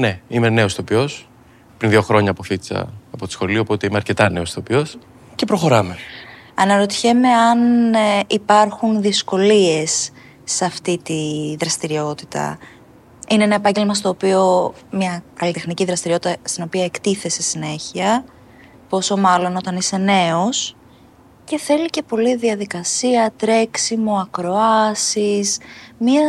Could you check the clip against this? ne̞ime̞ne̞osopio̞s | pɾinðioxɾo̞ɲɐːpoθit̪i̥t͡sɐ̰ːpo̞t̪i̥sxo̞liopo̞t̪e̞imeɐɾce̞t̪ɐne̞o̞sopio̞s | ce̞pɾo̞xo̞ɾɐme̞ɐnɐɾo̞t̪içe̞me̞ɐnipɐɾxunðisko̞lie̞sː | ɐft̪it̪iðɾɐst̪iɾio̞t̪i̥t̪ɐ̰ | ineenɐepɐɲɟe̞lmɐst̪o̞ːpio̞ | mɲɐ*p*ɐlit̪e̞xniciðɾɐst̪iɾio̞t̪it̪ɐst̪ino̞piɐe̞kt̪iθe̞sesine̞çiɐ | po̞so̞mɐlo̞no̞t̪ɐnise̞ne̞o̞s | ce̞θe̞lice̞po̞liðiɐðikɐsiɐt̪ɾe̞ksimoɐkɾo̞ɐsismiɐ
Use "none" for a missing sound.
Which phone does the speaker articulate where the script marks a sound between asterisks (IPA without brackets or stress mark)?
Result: k